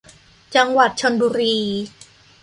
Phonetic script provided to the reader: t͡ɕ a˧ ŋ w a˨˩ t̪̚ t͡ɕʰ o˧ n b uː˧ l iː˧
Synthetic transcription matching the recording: t͡ɕ a˧ ŋ w a˨˩ t̪̚ t͡ɕʰ o˧ n b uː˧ ɾ iː˧